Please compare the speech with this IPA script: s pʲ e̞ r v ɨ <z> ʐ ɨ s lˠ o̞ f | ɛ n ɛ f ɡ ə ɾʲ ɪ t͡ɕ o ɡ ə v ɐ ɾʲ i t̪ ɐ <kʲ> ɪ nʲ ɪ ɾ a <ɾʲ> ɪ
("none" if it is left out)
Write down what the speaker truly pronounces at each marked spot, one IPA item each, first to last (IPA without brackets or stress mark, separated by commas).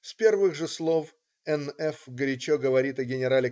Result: ɣ, ɡʲ, lʲ